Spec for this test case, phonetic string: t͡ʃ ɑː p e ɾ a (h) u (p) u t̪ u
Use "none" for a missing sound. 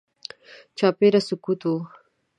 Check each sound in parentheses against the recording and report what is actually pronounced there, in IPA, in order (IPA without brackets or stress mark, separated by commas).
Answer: s, k